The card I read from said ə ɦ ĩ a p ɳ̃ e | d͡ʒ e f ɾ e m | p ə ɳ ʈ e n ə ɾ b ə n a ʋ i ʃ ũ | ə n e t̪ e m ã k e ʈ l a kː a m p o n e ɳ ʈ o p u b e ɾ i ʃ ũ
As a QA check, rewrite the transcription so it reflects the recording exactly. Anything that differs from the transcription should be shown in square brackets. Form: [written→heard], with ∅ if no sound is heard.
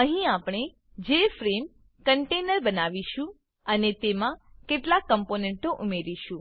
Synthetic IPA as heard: ə ɦ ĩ a p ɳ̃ e | d͡ʒ e f ɾ e m | [p→k] ə ɳ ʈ e n ə ɾ b ə n a ʋ i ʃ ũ | ə n e t̪ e m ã k e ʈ l a kː [a→ə] m p o n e ɳ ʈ o [p→ʔ] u [b→m] e ɾ i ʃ ũ